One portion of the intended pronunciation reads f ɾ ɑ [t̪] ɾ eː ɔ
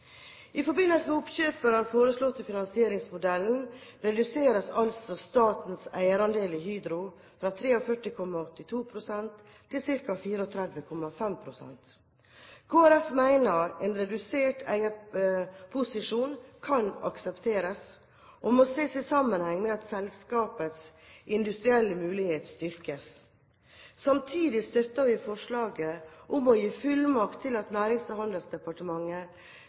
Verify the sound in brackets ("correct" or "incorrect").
incorrect